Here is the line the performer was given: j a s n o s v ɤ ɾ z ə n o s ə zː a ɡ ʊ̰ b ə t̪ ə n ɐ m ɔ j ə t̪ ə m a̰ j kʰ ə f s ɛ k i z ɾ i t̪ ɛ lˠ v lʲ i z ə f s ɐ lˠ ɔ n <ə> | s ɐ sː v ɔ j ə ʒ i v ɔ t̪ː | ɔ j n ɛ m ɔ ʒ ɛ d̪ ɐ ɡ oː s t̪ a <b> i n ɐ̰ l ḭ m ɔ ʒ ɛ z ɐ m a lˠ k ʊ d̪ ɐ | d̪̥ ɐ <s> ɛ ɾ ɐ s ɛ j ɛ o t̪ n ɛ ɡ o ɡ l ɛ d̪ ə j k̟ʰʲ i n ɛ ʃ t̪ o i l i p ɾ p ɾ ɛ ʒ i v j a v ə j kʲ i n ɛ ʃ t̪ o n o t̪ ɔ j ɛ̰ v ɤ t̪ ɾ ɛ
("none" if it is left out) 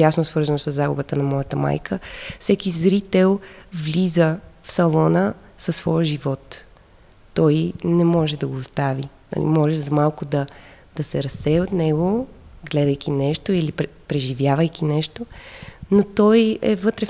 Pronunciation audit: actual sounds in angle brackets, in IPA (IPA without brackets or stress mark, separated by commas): ə, v, s